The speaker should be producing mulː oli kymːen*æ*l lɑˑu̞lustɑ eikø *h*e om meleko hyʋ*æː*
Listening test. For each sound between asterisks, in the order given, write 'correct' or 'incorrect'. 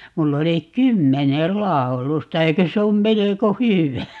incorrect: e, incorrect: s, incorrect: æ

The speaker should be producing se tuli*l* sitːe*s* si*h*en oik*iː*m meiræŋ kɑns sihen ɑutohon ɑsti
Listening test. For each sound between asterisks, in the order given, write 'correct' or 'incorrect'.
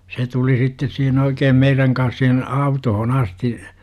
incorrect: none, correct, correct, incorrect: eː

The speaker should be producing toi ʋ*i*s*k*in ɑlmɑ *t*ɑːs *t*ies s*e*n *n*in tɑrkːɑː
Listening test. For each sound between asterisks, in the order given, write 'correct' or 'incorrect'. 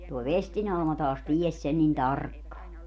incorrect: e, incorrect: t, correct, correct, correct, correct

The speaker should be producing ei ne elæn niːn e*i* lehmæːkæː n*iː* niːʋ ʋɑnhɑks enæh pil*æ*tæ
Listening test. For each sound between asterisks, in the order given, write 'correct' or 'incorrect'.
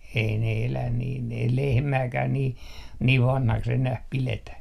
correct, correct, incorrect: e

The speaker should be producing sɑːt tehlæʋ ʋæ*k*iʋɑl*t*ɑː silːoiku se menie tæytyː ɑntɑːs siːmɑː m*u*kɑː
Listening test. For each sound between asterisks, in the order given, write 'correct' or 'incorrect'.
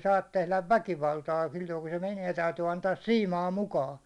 correct, correct, correct

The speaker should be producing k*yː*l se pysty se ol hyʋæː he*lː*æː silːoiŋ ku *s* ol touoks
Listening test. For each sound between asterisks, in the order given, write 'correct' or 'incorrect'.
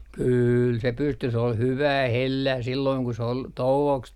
correct, correct, correct

